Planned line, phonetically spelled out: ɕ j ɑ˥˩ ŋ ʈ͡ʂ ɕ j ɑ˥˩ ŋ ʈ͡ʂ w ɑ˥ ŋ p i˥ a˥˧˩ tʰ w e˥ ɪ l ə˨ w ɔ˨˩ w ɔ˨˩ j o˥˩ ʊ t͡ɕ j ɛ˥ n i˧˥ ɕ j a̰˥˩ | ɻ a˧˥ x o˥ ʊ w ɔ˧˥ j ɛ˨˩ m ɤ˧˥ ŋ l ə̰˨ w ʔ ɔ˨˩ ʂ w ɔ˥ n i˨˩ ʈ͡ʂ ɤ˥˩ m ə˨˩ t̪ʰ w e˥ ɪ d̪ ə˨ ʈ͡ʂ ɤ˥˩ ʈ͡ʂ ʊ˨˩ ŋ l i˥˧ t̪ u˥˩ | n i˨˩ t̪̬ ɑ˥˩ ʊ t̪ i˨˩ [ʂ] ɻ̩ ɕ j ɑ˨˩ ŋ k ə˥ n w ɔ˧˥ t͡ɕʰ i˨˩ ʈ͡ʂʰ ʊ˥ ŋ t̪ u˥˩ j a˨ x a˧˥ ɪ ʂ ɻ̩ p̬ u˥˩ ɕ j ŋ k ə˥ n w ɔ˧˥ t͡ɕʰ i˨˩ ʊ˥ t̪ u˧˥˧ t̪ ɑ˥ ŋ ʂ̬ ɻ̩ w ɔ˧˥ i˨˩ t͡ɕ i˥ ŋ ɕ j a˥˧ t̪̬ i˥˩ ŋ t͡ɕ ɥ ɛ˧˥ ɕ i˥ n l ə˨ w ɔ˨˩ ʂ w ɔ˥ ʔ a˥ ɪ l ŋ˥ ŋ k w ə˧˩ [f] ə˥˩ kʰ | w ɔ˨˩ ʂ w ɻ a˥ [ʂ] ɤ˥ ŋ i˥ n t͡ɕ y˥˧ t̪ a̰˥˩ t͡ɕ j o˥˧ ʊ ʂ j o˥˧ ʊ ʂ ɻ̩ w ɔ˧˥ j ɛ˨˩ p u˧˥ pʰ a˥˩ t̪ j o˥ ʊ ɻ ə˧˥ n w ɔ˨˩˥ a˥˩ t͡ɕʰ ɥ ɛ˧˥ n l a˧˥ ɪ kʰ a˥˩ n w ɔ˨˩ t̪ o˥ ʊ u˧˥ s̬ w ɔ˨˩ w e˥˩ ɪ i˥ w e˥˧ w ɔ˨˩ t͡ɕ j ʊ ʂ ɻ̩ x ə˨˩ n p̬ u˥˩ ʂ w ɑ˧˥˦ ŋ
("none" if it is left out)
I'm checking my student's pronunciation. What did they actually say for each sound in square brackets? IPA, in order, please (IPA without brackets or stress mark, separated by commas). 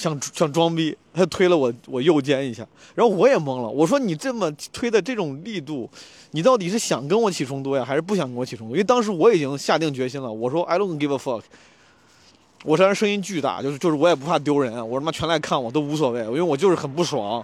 ʂ, f, ʂ